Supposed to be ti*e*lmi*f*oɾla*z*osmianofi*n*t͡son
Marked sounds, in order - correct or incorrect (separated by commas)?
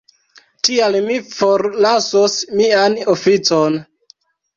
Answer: incorrect, correct, incorrect, incorrect